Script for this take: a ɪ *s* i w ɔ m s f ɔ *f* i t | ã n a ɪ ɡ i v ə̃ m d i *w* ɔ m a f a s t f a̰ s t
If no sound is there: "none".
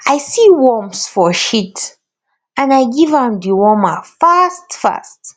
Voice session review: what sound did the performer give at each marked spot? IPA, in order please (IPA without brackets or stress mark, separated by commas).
s, ʃ, w